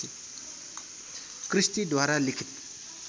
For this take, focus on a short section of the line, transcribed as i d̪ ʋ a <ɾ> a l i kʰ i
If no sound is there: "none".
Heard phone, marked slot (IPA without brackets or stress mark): ɾ